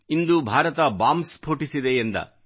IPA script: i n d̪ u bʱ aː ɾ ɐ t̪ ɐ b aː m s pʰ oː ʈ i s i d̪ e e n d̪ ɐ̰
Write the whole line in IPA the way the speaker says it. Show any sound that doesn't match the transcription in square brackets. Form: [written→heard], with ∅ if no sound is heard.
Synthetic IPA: i n d̪ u bʱ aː ɾ ɐ t̪ ɐ b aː m s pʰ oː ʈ i s i d̪ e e n d̪ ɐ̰